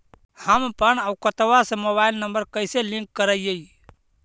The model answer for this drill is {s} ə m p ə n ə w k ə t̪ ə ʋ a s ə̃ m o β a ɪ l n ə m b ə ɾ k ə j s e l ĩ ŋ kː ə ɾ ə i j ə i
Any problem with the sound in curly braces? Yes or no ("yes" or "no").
yes